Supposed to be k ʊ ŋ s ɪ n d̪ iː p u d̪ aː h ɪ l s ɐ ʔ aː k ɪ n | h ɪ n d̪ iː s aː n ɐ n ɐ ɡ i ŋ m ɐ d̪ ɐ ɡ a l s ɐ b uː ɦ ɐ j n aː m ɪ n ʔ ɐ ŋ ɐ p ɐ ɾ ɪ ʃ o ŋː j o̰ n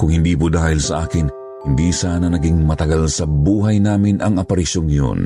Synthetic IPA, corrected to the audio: k ʊ ŋ h ɪ n d̪ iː p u d̪ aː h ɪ l s ɐ ʔ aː k ɪ n | h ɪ n d̪ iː s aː n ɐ n ɐ ɡ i ŋ m ɐ t̪ ɐ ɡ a l s ɐ b uː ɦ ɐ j n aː m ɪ n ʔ ɐ ŋ ɐ p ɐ ɾ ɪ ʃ o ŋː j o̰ n